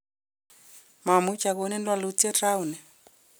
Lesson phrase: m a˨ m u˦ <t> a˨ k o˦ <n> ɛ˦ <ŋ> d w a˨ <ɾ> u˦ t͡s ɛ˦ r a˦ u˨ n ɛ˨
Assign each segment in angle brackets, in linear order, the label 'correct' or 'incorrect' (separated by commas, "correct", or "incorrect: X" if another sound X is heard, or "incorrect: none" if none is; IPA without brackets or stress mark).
incorrect: t͡ʃ, correct, incorrect: n, incorrect: l